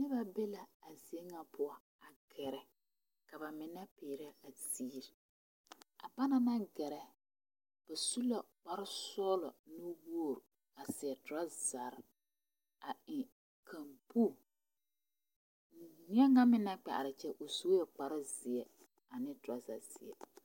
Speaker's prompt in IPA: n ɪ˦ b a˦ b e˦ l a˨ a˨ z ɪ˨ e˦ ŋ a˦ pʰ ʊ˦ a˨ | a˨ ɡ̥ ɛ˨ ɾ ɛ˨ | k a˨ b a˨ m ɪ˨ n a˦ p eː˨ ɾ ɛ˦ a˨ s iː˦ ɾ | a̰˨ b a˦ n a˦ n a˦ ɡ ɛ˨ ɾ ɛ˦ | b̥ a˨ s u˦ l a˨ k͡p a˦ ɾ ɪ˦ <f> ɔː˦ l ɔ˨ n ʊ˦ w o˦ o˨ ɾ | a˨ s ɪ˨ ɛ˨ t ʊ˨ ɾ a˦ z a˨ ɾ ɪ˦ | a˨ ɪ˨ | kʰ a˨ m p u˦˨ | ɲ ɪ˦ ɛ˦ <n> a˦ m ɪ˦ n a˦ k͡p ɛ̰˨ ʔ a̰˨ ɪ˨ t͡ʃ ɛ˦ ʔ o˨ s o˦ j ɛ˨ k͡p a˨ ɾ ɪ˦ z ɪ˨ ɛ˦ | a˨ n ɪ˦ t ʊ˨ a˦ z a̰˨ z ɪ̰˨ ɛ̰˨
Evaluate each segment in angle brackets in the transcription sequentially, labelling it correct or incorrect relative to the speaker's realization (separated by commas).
incorrect, incorrect